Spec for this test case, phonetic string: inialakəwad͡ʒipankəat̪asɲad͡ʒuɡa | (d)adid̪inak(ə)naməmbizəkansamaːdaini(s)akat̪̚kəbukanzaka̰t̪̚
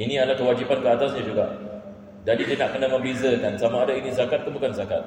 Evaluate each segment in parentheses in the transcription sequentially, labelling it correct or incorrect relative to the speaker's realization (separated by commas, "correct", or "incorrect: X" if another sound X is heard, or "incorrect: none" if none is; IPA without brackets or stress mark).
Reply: correct, correct, incorrect: z